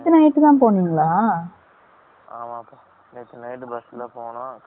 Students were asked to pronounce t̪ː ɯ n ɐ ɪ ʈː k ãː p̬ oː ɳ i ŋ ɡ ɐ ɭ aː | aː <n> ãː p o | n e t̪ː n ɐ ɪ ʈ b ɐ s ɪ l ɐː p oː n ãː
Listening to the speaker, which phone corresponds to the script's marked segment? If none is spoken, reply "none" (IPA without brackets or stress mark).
m